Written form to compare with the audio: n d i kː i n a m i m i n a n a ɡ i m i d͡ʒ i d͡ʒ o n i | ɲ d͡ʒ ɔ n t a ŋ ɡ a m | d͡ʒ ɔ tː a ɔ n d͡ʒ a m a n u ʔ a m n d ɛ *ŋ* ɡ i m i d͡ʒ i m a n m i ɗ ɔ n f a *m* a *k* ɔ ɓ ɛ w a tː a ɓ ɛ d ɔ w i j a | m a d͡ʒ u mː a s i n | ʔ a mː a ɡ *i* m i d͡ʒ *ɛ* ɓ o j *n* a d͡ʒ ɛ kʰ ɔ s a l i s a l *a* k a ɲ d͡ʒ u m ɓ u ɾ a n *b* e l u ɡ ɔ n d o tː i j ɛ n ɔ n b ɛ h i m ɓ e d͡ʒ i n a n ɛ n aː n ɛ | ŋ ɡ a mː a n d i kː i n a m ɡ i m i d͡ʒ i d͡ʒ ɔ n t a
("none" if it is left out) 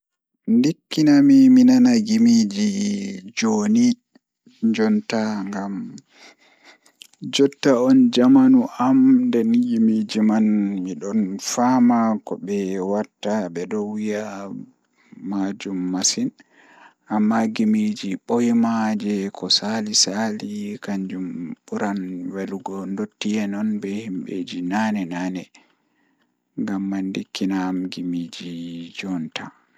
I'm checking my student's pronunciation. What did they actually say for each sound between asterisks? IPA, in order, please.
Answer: n, m, k, i, i, m, i, w

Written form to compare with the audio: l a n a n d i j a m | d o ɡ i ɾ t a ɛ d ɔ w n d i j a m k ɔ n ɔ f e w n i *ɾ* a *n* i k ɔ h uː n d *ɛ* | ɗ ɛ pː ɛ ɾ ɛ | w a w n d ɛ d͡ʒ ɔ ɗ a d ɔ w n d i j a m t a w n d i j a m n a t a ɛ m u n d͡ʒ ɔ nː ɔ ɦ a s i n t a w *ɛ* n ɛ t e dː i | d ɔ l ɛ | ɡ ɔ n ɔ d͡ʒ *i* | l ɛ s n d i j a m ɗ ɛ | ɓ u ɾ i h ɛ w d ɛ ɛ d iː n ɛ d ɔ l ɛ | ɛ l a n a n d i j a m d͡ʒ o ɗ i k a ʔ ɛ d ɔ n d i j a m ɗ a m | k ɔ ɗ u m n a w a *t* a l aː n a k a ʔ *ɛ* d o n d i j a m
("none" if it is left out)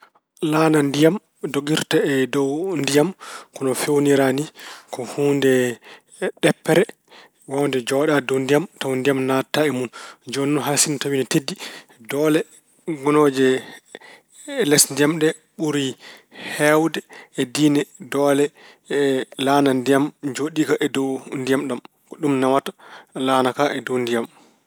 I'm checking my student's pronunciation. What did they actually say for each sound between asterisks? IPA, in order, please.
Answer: ɾ, n, ɛ, i, ɛ, t, ɛ

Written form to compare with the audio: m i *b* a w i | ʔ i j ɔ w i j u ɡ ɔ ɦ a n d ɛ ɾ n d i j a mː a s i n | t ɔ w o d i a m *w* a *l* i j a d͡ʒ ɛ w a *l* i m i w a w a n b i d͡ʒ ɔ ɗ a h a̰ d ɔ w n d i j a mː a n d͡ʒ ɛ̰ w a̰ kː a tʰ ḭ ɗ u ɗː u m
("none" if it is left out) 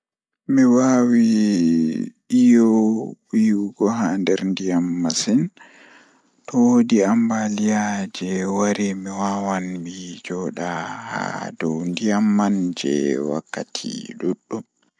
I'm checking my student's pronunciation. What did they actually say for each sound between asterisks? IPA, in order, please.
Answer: w, b, l, ɾ

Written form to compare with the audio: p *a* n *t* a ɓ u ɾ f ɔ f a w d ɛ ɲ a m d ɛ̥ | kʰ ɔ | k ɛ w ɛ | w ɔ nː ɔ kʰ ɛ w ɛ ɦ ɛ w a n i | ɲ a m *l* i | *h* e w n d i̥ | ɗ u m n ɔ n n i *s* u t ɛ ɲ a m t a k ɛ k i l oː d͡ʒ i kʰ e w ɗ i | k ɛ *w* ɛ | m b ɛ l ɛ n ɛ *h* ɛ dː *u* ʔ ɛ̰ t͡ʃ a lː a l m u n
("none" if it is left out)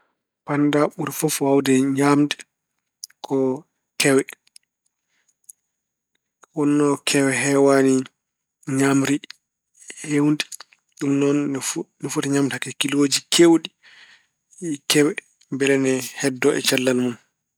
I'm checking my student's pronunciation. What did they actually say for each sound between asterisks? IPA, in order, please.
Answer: a, d, ɾ, h, f, w, h, ɔ

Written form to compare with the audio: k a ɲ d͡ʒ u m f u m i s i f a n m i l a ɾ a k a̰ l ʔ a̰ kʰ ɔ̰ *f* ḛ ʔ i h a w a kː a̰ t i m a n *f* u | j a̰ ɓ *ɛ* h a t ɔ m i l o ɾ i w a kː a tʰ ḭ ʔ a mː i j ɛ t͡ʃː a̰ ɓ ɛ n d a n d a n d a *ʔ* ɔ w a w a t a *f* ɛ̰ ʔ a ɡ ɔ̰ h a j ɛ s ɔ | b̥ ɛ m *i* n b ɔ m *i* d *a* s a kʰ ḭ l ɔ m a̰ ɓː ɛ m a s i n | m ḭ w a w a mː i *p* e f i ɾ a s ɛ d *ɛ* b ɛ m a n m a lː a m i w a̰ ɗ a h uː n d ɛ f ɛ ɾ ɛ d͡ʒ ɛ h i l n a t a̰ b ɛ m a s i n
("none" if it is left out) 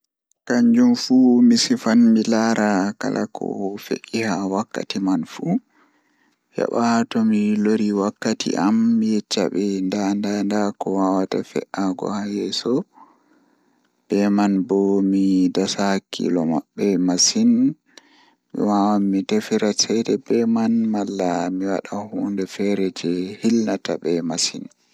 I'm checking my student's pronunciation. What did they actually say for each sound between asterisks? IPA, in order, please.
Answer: f, f, a, k, f, a, i, a, t, ɛ

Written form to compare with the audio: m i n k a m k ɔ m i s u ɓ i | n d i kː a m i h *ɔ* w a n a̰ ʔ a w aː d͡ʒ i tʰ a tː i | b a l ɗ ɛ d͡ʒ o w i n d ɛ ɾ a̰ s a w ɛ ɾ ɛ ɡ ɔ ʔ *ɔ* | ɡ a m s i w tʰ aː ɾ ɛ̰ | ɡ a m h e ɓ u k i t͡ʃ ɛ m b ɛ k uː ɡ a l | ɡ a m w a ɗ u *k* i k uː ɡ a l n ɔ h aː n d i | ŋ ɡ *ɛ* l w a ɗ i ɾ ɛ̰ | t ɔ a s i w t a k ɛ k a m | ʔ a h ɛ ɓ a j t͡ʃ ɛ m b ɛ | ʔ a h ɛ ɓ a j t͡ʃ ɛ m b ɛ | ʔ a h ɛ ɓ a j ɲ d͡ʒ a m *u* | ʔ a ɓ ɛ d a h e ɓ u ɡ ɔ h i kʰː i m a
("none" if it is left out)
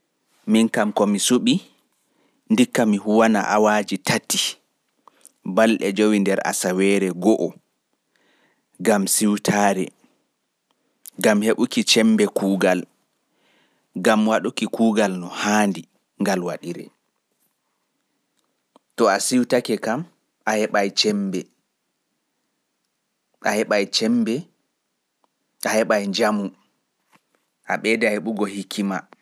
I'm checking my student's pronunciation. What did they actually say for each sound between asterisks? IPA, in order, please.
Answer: u, ɔ, k, a, u

